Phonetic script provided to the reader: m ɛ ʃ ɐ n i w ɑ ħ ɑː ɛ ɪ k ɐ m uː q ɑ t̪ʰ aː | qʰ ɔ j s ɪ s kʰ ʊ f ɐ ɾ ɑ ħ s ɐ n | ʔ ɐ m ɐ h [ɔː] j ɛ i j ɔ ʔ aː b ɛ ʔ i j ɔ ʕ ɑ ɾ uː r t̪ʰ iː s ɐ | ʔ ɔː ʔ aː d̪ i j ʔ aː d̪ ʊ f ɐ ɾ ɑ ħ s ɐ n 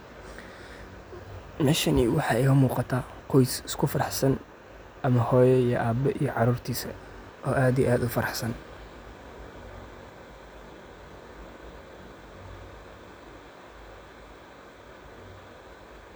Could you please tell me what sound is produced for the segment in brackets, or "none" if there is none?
ɔː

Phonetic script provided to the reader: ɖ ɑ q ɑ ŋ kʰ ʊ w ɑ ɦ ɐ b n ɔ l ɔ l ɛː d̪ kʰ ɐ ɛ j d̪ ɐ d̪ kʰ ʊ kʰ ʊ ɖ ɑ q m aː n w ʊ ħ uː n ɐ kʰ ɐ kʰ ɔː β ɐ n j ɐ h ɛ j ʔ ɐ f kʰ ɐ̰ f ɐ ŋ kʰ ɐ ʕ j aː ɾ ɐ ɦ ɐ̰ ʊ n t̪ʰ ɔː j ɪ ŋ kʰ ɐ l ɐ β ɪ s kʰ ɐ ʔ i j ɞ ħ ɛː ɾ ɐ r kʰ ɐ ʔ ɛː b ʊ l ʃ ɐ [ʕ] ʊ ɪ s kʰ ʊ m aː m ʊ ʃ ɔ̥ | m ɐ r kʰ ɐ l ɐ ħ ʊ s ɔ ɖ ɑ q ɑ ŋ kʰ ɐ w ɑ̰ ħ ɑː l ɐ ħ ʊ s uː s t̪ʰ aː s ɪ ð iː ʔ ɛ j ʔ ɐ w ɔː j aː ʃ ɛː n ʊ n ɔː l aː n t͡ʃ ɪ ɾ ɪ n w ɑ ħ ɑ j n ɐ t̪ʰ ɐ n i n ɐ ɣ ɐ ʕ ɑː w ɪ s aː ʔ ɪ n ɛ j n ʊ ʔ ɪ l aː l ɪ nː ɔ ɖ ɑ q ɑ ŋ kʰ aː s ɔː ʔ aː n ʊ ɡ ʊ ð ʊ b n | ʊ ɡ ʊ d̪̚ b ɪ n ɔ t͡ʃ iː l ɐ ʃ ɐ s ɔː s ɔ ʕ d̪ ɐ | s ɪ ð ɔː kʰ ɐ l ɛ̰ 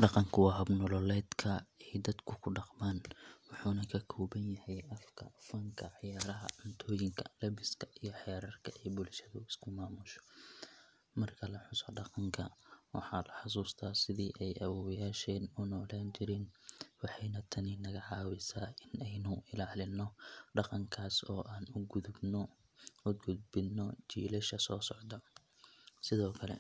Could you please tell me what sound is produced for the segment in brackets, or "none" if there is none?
ð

